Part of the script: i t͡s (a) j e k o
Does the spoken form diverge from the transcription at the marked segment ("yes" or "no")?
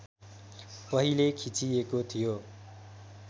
yes